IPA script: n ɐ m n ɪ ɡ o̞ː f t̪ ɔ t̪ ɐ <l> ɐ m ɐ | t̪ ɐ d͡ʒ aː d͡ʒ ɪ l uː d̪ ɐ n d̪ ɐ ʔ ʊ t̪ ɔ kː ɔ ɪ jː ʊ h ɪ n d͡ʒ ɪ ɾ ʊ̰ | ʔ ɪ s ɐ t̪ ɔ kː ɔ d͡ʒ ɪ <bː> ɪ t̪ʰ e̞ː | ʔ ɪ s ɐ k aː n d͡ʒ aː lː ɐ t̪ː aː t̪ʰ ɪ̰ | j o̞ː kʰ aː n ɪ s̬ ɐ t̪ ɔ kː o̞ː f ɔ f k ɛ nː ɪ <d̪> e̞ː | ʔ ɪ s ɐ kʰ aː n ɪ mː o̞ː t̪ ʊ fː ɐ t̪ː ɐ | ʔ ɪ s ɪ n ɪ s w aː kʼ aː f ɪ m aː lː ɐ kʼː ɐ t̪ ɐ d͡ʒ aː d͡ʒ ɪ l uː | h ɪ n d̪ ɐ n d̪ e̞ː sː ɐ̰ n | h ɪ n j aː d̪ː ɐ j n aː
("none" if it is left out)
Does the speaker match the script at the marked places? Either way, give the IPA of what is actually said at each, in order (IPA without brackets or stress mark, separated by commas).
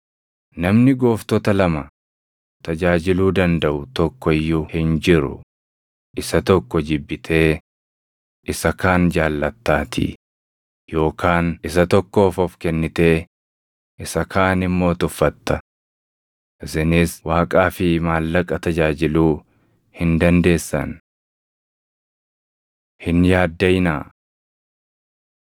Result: l, bː, t̪